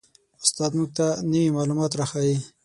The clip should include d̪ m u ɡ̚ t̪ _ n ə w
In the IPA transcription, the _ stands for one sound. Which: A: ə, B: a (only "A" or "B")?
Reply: B